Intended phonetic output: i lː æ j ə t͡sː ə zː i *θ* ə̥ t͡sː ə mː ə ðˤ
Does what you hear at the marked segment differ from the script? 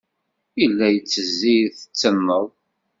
no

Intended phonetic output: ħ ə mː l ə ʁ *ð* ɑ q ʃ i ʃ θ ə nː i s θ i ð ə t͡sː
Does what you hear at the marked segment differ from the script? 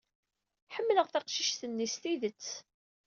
yes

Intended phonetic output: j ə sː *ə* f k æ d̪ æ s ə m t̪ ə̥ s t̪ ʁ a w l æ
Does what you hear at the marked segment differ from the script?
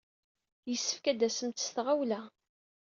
no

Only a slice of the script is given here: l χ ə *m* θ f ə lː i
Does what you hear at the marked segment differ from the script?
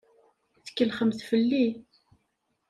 no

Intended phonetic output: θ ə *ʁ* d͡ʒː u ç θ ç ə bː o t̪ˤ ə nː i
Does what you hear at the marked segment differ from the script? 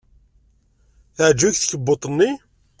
yes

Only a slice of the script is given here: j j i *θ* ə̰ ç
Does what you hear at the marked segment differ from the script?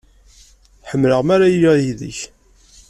yes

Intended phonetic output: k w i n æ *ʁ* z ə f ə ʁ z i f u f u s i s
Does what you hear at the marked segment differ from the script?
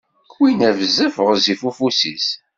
yes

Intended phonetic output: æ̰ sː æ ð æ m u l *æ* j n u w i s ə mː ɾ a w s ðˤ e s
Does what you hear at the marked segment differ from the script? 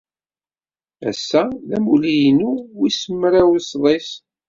yes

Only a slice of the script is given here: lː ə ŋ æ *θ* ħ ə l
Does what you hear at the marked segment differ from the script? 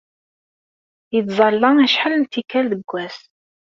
yes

